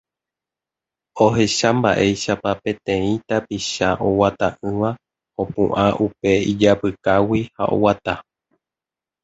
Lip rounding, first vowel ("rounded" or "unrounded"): rounded